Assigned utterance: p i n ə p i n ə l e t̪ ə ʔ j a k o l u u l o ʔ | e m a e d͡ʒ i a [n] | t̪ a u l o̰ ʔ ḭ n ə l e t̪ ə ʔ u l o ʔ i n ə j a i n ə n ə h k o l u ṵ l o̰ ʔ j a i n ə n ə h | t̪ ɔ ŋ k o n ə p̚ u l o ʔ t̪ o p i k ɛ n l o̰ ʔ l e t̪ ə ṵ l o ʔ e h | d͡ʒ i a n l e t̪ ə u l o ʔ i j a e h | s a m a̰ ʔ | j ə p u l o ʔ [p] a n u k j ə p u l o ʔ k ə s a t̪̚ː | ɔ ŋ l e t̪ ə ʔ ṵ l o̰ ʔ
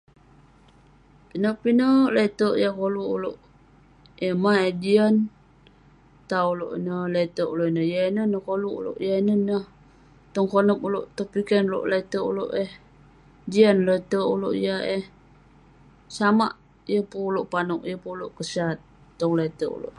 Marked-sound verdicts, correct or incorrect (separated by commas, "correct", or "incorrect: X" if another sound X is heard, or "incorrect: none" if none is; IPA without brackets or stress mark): correct, correct